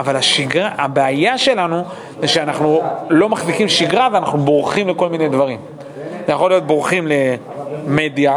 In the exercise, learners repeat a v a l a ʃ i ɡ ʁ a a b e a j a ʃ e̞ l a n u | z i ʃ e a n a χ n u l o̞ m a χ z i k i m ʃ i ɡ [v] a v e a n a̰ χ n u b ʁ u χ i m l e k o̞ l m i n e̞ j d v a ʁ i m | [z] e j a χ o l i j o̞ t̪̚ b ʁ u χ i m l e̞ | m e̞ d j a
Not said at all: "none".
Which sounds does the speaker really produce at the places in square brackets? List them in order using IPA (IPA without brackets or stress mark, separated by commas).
ʁ, z